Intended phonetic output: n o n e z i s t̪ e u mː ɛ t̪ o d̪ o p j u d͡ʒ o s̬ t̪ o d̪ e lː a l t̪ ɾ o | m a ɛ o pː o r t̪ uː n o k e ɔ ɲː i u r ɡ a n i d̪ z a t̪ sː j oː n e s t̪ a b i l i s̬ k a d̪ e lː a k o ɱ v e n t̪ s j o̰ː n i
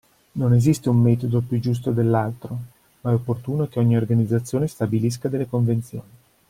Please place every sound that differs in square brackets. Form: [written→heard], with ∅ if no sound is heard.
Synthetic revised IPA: n o n e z i s t̪ e u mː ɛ t̪ o d̪ o p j u d͡ʒ [o→u] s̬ t̪ o d̪ e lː a l t̪ ɾ o | m a ɛ o pː o r t̪ uː n o k e ɔ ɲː i [u→o] r ɡ a n i d̪ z a t̪ sː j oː n e s t̪ a b i l i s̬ k a d̪ e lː [a→e] k o ɱ v e n t̪ s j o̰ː n i